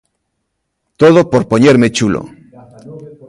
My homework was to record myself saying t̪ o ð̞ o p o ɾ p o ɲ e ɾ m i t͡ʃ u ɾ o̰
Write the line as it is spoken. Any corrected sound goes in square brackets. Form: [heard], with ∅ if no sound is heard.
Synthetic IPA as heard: t̪ o ð̞ o p o ɾ p o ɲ e ɾ m [e] t͡ʃ u [l] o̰

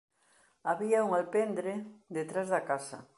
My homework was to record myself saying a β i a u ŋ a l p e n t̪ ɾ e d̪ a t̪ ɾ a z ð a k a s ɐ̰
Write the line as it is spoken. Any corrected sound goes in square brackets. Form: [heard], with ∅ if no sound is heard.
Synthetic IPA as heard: a β i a u ŋ a l p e n [d̪] ɾ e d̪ [e] t̪ ɾ a z ð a k a s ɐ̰

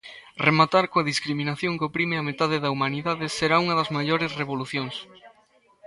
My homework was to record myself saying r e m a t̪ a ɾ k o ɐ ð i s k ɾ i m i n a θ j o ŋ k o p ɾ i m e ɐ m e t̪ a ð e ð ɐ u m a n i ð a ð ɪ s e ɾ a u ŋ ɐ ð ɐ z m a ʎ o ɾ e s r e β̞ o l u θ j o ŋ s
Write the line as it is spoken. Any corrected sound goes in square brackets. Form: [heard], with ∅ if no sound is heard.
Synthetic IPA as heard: r e m a t̪ a ɾ k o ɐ ð i s k ɾ i m i n a θ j o ŋ k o p ɾ i m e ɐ m e t̪ a ð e ð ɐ u m a n i ð a ð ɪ s e ɾ a u ŋ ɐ ð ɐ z m a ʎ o ɾ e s r e β̞ o l u θ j o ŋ s

